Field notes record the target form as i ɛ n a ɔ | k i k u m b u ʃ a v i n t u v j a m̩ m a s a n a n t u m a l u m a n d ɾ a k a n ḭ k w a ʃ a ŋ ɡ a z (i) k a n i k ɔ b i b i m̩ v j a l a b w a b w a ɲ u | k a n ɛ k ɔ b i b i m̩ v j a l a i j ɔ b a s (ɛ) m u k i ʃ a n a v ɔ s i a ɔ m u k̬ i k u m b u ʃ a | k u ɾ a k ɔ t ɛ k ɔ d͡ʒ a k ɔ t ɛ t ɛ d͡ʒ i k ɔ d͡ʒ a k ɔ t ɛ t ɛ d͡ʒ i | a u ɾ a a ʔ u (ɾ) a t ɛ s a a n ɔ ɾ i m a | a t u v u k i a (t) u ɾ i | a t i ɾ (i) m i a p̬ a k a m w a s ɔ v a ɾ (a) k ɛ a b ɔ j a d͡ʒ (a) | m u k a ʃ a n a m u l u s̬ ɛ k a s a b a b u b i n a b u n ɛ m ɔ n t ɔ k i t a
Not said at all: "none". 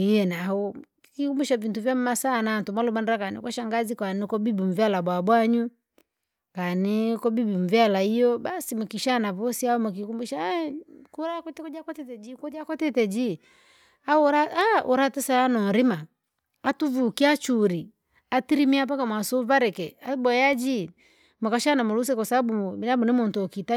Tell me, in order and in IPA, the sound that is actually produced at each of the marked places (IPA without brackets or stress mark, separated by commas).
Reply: i, i, ɾ, t͡ʃ, i, ɛ, i